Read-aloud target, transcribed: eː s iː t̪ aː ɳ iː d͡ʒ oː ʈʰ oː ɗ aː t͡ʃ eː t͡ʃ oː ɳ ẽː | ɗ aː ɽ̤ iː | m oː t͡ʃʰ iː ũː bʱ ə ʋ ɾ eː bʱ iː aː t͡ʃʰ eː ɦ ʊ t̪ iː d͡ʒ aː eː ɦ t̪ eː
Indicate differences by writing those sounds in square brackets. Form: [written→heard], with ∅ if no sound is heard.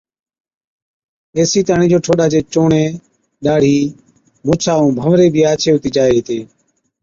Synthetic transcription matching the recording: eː s iː t̪ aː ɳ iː d͡ʒ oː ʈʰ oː ɗ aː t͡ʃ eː t͡ʃ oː ɳ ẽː | ɗ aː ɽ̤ iː | m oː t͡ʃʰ [iː→aː] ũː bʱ ə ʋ ɾ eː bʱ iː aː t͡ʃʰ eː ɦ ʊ t̪ iː d͡ʒ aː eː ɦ t̪ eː